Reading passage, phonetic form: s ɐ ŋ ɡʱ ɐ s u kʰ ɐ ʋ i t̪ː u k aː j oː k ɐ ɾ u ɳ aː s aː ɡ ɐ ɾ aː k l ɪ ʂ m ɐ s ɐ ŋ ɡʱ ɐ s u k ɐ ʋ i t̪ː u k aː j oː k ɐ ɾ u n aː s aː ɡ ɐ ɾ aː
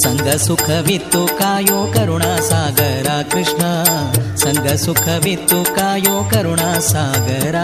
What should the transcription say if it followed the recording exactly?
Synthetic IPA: s ɐ ŋ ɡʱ ɐ s u kʰ ɐ ʋ i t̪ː u k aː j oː k ɐ ɾ u ɳ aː s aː ɡ ɐ ɾ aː k ɾ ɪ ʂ ɳ ɐ s ɐ ŋ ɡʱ ɐ s u kʰ ɐ ʋ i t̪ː u k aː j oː k ɐ ɾ u ɳ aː s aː ɡ ɐ ɾ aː